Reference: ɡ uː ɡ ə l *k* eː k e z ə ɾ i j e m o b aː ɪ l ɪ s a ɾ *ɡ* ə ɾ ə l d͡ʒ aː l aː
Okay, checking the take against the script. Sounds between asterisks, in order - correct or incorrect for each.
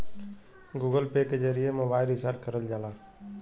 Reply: incorrect: p, incorrect: k

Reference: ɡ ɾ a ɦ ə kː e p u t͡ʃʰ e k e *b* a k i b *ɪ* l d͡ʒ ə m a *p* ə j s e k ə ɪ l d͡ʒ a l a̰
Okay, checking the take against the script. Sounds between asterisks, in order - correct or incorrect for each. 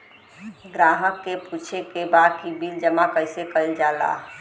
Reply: correct, incorrect: i, incorrect: k

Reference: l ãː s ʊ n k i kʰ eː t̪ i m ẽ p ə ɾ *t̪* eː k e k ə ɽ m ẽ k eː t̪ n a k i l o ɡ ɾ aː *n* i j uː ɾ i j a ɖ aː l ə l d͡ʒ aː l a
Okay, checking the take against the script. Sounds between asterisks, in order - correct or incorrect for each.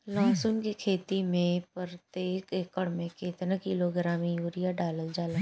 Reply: correct, incorrect: m

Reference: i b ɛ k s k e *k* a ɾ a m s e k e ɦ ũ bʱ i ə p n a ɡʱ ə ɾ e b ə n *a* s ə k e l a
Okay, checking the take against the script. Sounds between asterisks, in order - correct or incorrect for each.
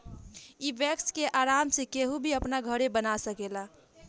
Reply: incorrect: ʔ, correct

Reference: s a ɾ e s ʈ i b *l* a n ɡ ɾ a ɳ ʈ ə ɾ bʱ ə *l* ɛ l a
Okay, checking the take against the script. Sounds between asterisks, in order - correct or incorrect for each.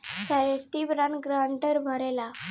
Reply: incorrect: ɾ, incorrect: ɾ

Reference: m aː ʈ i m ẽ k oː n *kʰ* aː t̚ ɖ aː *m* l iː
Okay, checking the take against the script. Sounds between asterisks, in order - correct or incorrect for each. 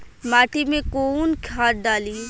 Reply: correct, incorrect: none

